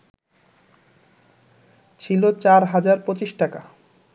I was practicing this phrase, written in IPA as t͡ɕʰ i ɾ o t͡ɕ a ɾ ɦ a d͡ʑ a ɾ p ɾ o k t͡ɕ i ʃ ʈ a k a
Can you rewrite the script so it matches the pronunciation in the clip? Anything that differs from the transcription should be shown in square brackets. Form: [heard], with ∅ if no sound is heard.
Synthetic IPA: t͡ɕʰ i [l] o t͡ɕ a ɾ ɦ a d͡ʑ a ɾ p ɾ o [∅] t͡ɕ i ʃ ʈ a k a

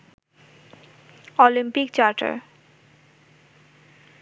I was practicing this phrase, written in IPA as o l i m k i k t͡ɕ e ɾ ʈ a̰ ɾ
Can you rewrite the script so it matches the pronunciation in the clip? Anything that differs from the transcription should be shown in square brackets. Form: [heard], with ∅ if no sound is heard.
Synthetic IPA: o l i m [p] i k t͡ɕ [a] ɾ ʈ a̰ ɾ

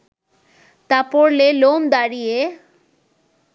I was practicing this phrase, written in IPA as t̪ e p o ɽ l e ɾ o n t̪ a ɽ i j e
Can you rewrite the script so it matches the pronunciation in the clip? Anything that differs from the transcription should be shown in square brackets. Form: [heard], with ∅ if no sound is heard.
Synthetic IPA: t̪ [a] p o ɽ l e [l] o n [d̪] a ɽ i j e

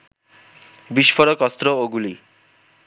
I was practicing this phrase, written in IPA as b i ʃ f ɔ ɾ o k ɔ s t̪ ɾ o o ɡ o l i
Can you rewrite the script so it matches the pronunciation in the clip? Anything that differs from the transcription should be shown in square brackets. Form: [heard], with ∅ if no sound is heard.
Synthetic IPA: b i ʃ f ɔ ɾ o k ɔ s t̪ ɾ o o ɡ [u] l i

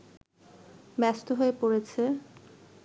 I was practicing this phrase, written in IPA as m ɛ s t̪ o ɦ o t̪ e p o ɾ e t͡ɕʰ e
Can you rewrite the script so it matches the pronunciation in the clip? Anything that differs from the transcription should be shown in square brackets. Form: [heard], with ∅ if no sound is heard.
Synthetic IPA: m ɛ s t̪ o ɦ o [∅] e p o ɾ e t͡ɕʰ e

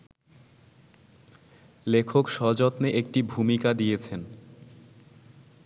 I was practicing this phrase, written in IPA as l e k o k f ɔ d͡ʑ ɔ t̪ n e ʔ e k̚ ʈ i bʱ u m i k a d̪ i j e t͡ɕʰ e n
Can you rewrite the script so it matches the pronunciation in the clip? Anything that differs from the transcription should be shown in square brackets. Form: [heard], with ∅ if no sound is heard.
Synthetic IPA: l e [kʰ] o k [ʃ] ɔ d͡ʑ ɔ t̪ n e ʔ e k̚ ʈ i bʱ u m i k a d̪ i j e t͡ɕʰ e n

